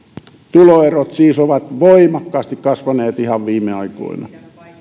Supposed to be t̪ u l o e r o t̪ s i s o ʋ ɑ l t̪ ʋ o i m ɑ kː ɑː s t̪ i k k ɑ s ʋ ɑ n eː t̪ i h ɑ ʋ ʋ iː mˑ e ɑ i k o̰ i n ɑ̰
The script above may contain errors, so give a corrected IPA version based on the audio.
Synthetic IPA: t̪ u l o e r o t̪ s iː s o ʋ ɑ t̪ ʋ o i m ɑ kː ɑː s t̪ i k k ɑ s ʋ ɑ n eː t̪ i h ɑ ʋ ʋ iː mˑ e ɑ i k o̰ i n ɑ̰